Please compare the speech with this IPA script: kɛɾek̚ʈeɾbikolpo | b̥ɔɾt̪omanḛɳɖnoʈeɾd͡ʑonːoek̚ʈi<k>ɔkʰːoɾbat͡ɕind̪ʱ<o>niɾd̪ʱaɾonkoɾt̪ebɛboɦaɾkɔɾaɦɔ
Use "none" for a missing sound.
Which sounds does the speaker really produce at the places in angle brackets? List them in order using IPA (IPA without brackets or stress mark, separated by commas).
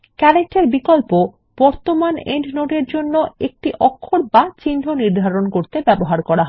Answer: ʔ, o